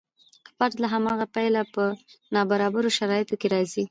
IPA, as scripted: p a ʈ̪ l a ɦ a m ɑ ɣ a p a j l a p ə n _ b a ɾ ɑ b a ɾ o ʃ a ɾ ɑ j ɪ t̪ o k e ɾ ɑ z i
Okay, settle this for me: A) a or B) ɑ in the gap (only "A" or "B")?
B